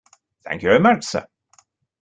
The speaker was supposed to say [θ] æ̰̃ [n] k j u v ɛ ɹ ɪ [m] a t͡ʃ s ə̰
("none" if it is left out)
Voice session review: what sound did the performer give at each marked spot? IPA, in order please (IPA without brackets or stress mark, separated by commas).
θ, ŋ, m